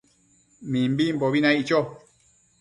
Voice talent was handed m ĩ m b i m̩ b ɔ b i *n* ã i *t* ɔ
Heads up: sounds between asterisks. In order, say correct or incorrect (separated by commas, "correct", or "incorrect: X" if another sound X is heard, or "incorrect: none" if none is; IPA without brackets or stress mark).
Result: correct, incorrect: t͡ʃ